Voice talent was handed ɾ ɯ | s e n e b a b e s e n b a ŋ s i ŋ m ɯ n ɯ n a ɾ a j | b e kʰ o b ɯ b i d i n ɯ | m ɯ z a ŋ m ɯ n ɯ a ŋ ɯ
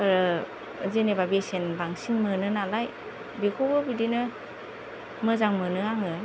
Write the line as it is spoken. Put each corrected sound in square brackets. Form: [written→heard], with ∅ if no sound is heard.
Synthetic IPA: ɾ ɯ | [s→z] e n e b a b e s e n b a ŋ s i ŋ m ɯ n ɯ n a [ɾ→l] a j | b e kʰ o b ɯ b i d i n ɯ | m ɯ z a ŋ m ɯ n ɯ a ŋ ɯ